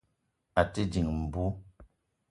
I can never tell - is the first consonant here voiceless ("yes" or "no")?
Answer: yes